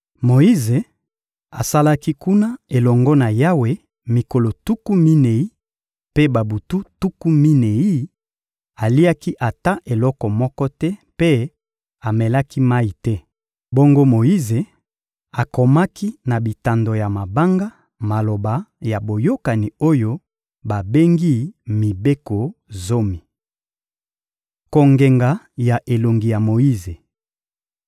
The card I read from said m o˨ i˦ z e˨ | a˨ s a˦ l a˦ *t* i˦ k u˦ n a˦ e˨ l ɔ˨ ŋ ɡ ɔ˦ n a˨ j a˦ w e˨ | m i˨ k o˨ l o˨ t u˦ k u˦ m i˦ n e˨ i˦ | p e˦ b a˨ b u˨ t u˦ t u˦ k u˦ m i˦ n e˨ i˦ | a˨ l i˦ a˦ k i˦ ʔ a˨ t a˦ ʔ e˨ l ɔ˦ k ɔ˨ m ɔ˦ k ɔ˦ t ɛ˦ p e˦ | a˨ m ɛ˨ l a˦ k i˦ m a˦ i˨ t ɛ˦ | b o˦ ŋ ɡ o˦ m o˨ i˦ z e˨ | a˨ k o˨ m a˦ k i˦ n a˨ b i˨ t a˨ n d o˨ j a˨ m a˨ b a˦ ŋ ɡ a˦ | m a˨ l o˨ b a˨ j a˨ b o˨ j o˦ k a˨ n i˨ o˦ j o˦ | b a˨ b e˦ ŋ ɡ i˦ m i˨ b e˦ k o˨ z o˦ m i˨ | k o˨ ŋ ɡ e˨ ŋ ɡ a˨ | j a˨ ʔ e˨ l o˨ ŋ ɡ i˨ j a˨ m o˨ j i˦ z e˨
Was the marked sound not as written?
yes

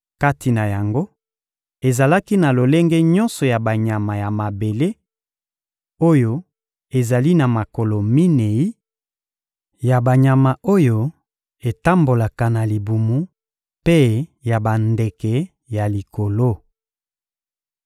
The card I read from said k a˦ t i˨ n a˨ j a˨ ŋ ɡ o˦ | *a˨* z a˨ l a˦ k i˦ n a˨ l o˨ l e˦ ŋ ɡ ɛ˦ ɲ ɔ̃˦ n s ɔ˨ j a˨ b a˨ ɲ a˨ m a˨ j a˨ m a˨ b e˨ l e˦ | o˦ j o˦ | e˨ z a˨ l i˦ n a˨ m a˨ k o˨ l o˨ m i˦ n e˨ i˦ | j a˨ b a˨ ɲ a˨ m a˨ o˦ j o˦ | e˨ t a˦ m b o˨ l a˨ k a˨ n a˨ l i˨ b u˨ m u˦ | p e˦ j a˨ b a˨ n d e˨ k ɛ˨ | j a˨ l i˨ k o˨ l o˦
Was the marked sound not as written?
yes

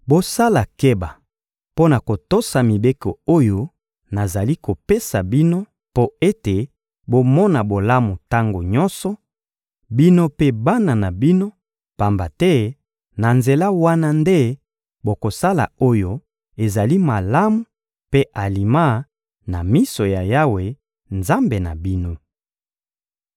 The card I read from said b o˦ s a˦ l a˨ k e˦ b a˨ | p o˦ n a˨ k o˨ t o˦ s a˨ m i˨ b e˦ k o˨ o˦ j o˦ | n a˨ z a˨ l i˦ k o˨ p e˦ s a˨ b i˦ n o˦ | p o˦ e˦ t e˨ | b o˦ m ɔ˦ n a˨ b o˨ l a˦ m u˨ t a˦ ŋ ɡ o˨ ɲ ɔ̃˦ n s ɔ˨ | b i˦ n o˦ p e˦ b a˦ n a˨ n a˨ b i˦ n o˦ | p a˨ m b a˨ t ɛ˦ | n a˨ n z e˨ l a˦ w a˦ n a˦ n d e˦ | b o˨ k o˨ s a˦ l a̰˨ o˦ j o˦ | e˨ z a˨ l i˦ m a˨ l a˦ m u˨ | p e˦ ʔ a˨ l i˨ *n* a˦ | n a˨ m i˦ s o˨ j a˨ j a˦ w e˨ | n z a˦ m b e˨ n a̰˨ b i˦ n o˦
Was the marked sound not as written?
yes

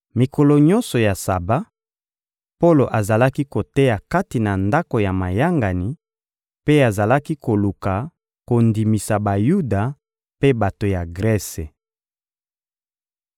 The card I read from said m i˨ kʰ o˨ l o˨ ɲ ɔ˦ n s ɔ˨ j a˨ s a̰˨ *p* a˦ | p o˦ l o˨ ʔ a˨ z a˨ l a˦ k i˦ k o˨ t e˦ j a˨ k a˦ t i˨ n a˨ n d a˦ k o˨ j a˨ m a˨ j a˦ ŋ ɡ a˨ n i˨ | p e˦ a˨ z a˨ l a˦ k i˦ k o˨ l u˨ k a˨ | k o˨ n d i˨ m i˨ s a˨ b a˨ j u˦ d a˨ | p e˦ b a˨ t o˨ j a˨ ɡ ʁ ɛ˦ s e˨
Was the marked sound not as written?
yes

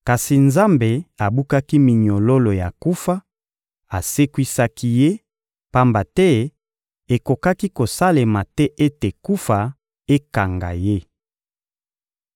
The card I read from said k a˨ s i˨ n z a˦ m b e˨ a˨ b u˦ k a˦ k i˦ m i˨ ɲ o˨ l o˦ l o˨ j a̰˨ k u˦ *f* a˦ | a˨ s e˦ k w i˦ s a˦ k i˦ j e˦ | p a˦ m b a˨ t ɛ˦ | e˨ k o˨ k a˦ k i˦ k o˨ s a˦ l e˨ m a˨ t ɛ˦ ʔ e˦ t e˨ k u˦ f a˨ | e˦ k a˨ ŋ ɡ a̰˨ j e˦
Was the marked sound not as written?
no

